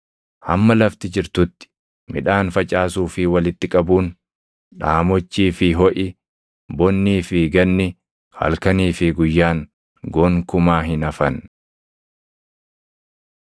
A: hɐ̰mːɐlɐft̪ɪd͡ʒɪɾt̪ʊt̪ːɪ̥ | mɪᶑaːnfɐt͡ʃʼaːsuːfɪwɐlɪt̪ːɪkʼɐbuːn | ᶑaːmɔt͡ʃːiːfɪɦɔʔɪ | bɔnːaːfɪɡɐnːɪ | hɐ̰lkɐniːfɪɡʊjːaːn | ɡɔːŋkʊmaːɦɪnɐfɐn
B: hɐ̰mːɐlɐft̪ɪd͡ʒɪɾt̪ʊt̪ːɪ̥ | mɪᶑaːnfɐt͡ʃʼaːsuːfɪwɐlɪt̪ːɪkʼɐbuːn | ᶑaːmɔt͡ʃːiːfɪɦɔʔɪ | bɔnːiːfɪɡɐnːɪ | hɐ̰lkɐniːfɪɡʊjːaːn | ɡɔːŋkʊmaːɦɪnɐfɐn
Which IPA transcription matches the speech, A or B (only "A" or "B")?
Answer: B